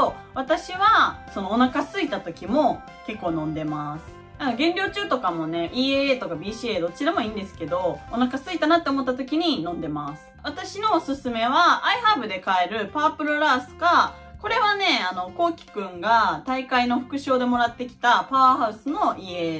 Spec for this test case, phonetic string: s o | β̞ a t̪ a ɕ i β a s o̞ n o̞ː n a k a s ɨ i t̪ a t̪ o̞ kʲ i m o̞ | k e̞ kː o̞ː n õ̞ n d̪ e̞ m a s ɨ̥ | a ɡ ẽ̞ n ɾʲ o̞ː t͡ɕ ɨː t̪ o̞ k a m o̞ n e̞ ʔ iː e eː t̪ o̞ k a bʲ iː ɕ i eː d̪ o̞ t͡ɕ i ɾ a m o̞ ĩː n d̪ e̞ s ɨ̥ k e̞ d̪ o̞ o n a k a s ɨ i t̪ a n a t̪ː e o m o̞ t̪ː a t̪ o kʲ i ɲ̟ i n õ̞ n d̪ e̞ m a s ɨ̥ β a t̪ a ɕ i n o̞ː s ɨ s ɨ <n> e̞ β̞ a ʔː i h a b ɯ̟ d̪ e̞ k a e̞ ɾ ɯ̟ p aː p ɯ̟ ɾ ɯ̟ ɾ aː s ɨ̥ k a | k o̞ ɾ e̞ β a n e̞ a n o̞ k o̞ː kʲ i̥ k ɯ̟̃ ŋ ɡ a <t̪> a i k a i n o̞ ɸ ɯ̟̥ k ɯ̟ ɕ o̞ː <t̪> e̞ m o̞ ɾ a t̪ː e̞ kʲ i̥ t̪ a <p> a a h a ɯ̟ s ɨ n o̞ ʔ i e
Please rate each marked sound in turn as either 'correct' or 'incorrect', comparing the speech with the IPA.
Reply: incorrect: m, correct, incorrect: d̪, correct

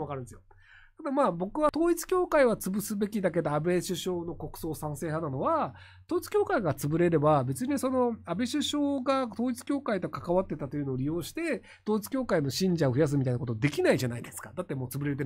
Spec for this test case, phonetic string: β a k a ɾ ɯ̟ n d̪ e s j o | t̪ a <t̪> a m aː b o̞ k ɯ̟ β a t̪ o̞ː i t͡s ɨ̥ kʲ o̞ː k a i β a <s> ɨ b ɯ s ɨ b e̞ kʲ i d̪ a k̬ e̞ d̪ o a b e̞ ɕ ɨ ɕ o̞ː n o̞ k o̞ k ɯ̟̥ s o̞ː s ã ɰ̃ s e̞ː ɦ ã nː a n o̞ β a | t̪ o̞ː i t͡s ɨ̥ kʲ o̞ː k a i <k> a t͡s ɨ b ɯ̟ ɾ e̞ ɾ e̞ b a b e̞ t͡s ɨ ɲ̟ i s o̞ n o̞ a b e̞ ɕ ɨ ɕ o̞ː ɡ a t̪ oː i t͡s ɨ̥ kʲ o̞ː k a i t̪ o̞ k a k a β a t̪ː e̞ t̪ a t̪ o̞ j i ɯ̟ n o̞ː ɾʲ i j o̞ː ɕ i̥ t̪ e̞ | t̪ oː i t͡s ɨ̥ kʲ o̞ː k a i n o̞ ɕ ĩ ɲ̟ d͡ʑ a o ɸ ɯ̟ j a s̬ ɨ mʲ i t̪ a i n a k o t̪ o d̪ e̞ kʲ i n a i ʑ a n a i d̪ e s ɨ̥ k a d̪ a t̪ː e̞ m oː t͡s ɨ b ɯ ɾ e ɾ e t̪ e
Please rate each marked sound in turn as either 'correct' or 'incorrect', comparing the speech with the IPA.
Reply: incorrect: d̪, incorrect: t͡s, incorrect: ɡ

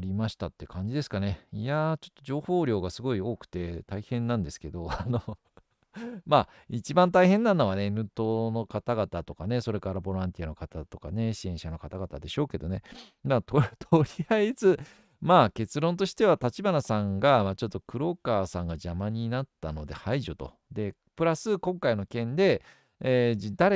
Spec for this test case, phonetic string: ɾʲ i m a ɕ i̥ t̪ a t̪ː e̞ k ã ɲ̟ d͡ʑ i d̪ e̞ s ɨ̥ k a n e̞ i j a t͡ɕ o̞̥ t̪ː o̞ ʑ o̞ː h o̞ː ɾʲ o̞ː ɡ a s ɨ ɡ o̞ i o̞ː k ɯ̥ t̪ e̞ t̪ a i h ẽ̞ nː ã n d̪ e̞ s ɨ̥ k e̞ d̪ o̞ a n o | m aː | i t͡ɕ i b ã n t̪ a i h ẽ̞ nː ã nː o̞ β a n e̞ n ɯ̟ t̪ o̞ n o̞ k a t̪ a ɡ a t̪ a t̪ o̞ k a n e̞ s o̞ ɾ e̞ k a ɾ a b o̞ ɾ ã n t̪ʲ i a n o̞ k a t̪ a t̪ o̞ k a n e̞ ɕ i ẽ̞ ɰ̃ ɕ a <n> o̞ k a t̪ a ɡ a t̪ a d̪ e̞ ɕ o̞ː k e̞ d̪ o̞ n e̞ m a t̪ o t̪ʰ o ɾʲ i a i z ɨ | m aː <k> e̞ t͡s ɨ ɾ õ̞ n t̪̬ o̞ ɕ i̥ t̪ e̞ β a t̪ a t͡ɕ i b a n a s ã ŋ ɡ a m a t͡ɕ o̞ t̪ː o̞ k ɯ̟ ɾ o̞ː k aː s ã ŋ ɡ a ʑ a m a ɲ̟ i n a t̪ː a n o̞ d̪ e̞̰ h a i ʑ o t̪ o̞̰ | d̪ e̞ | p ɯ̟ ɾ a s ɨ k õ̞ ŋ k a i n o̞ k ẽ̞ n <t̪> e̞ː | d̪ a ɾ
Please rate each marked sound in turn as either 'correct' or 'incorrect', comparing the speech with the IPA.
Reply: correct, correct, incorrect: d̪

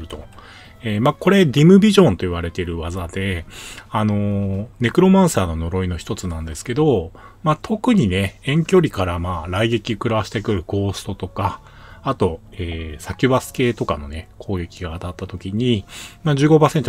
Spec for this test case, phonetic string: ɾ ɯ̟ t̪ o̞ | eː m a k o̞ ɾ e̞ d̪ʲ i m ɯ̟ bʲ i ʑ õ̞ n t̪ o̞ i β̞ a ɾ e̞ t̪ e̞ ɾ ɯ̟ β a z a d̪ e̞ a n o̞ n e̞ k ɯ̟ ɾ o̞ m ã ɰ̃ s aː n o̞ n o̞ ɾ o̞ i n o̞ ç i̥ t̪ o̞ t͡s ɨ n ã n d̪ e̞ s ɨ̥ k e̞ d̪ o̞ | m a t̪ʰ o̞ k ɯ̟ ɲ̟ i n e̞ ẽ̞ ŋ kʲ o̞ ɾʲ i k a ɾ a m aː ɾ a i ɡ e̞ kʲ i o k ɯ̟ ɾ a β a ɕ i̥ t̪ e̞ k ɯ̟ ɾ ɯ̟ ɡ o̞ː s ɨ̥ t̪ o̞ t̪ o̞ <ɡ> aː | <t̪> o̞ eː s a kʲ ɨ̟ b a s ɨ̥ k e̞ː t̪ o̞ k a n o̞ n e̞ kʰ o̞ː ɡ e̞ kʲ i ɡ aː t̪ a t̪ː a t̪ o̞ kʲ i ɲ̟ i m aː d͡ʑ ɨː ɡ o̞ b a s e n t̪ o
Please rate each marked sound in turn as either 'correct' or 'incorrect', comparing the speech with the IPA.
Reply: incorrect: k, correct

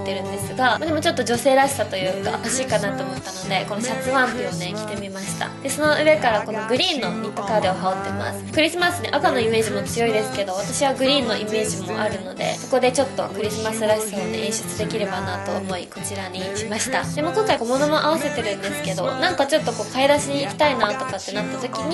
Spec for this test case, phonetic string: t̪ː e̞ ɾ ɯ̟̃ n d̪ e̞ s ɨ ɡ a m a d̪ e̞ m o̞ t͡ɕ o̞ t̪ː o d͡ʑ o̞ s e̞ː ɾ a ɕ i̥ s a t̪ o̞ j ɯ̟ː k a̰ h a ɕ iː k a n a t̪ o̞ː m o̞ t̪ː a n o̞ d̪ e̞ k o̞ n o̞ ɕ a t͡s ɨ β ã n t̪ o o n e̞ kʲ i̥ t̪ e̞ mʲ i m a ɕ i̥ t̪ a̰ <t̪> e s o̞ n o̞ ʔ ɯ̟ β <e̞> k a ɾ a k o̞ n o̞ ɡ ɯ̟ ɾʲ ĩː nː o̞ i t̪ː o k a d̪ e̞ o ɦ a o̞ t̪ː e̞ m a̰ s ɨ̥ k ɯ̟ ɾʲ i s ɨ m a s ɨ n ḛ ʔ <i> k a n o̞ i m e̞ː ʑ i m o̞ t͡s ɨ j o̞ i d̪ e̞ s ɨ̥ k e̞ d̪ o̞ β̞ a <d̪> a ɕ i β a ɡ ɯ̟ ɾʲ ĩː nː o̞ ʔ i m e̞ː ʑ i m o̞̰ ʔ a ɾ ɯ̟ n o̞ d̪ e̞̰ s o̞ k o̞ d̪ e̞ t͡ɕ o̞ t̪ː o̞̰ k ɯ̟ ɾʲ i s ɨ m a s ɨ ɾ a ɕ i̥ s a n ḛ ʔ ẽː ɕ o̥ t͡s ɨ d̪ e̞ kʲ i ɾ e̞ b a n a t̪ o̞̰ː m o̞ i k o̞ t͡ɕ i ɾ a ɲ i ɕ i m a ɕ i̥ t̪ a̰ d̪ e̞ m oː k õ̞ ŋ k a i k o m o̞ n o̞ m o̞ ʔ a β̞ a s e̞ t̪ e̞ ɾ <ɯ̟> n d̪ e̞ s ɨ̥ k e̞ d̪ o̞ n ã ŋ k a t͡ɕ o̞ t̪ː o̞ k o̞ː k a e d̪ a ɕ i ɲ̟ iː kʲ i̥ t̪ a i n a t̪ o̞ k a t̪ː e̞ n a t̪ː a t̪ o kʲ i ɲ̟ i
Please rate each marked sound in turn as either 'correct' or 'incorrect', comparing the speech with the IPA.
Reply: incorrect: d̪, correct, incorrect: a, incorrect: t̪, incorrect: ɯ̟̃

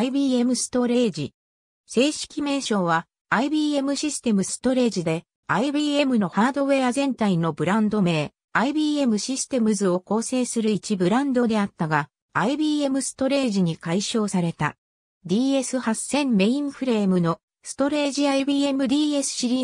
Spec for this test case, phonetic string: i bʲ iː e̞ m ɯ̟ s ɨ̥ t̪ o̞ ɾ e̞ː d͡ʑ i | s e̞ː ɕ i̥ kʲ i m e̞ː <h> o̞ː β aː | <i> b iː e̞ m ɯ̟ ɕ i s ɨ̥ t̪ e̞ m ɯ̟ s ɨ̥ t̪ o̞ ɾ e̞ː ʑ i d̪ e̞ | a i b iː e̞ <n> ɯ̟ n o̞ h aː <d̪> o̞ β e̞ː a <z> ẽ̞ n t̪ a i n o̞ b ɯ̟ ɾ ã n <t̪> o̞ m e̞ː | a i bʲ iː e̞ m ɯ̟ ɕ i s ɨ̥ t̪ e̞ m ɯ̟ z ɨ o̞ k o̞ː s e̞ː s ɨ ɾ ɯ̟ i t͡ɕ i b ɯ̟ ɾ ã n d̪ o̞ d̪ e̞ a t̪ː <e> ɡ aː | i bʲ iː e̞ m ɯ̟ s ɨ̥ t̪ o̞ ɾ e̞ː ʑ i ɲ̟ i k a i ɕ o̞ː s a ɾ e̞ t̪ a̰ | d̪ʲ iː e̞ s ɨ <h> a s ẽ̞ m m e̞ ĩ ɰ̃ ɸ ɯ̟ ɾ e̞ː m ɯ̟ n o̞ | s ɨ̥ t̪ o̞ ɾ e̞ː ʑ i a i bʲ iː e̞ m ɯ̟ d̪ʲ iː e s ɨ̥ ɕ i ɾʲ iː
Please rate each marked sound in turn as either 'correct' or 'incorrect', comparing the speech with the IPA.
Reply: incorrect: ɕ, correct, incorrect: m, correct, correct, incorrect: d̪, incorrect: a, correct

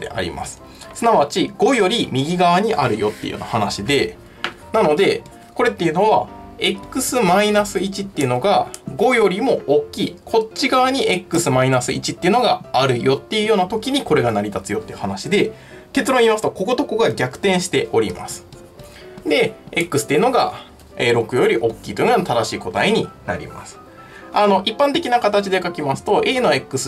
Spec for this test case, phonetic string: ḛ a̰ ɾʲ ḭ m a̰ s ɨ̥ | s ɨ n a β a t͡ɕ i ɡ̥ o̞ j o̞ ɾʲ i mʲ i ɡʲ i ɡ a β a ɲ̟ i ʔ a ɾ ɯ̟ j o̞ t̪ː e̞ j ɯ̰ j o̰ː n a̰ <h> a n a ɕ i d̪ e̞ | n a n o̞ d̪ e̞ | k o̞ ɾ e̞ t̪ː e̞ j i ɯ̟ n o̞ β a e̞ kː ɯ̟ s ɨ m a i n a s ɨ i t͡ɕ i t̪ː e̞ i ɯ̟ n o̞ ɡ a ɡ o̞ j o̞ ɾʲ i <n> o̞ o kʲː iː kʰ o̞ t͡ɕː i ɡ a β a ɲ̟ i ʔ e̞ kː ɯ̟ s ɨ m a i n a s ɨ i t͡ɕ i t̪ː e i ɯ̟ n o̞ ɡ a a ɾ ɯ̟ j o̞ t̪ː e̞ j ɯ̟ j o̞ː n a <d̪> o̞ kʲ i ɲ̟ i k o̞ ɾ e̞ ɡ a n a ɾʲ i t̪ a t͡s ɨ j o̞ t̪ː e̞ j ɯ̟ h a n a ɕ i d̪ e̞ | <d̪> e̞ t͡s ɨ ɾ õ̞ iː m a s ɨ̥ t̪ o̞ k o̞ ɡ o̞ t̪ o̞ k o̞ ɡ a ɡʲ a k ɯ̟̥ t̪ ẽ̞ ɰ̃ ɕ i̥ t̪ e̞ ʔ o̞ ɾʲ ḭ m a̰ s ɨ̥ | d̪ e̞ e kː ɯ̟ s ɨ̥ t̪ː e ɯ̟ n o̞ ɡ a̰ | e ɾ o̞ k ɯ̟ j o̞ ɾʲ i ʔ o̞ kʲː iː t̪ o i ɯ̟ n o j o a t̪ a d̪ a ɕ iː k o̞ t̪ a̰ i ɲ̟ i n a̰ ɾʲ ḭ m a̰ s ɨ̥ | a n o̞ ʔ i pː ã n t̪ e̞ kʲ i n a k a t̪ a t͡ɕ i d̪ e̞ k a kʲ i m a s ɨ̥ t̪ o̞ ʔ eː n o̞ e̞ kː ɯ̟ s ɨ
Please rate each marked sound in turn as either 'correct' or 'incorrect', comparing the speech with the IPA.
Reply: correct, incorrect: m, incorrect: t̪, incorrect: t̪

